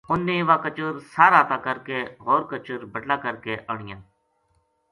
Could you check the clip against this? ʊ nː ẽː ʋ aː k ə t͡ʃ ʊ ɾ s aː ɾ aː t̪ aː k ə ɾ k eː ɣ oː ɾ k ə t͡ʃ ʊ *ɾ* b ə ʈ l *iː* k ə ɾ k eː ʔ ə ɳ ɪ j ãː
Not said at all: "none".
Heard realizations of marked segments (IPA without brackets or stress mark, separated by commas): ɾ, aː